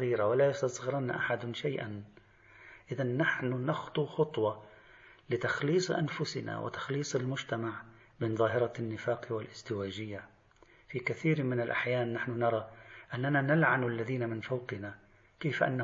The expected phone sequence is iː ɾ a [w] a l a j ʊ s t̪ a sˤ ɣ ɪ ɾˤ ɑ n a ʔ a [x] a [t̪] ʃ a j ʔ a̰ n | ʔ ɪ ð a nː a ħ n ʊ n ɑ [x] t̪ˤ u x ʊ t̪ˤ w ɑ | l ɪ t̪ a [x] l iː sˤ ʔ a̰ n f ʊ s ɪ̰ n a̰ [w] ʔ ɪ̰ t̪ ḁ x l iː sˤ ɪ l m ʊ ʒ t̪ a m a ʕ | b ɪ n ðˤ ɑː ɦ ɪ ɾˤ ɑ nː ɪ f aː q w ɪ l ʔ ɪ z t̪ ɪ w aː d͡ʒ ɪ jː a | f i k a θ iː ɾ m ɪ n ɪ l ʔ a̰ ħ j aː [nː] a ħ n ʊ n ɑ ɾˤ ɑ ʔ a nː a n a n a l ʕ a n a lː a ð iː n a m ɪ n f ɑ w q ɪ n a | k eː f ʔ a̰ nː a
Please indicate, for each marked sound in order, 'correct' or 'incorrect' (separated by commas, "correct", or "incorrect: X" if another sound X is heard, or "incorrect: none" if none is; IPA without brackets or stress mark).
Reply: correct, incorrect: ħ, incorrect: d̪, correct, correct, correct, correct